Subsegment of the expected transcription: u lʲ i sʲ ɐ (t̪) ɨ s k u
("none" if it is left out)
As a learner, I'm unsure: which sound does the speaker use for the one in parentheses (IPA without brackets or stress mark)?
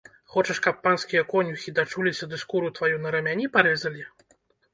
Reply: d̪